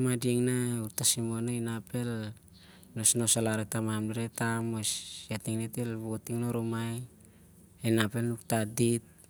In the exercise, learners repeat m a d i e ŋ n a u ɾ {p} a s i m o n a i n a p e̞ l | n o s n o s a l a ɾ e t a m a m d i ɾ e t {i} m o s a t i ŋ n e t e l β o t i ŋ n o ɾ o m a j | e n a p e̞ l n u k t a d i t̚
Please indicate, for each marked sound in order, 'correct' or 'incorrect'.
incorrect: t, incorrect: a

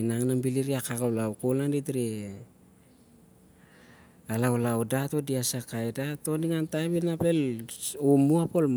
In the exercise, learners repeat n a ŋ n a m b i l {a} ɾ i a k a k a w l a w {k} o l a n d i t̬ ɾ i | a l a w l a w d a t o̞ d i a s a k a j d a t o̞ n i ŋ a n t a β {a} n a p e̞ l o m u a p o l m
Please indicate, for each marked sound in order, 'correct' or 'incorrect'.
incorrect: i, correct, incorrect: i

